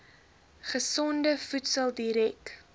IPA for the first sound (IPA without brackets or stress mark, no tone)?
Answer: χ